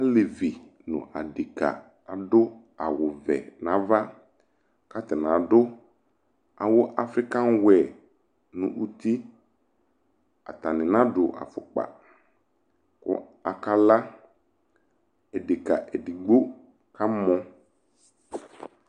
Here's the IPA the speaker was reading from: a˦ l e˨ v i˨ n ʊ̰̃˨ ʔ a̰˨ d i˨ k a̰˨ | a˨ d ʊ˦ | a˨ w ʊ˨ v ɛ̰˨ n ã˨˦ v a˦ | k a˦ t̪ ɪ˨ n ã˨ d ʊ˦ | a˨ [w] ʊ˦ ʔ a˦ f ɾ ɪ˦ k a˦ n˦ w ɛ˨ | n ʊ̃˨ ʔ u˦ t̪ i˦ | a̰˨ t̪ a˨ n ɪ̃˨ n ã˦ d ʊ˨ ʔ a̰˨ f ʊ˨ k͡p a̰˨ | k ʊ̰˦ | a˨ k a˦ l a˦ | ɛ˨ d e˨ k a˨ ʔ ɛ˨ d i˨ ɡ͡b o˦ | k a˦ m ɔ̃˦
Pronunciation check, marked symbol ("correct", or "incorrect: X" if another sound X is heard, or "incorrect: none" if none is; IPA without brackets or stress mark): correct